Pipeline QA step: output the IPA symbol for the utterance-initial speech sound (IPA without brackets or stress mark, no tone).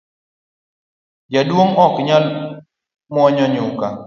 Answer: d͡ʒ